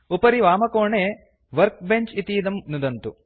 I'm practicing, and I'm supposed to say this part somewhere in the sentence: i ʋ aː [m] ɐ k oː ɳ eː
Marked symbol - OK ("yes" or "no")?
yes